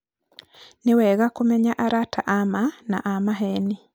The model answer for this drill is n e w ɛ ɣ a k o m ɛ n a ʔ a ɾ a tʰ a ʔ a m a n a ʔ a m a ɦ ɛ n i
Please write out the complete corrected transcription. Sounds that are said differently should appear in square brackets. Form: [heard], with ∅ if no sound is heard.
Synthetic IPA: n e w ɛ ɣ a k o m ɛ [ɲ] a ʔ a ɾ a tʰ a ʔ a m a n a ʔ a m a ɦ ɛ n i